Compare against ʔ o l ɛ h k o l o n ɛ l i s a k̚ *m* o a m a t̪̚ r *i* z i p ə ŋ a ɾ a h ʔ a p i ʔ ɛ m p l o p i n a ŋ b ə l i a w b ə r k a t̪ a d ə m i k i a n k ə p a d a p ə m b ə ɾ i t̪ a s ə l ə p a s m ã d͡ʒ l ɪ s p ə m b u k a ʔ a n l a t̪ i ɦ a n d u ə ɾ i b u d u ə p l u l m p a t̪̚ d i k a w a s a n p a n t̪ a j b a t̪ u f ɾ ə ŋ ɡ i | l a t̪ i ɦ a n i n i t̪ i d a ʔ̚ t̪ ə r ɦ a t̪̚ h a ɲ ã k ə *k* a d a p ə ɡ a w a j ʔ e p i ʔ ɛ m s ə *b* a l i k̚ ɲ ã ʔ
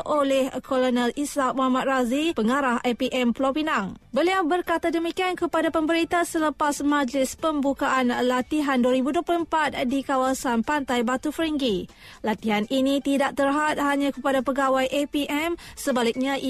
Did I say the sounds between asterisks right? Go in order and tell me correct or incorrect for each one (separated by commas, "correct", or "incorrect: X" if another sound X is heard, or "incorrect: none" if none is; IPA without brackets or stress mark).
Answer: correct, incorrect: a, incorrect: p, correct